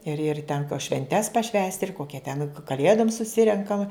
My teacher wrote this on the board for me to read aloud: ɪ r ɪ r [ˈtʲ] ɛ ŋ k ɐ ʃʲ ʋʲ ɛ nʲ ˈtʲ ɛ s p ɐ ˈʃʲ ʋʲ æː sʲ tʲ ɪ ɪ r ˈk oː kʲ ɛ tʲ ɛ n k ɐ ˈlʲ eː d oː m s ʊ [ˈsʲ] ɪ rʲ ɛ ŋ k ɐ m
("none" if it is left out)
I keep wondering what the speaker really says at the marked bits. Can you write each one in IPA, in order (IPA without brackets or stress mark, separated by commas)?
tʲ, sʲ